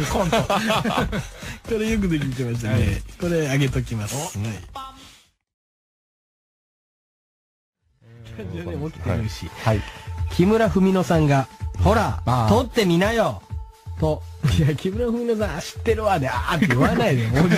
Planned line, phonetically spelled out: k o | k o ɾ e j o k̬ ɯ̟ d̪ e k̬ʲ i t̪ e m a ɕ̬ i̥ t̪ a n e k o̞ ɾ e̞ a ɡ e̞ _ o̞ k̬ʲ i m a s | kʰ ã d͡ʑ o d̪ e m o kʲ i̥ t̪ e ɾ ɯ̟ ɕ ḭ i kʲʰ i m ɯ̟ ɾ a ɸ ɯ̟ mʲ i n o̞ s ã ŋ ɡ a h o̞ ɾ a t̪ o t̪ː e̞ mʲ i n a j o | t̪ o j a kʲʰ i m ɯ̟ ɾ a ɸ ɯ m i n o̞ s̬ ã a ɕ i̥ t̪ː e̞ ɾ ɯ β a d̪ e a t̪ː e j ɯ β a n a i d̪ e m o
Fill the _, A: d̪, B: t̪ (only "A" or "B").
B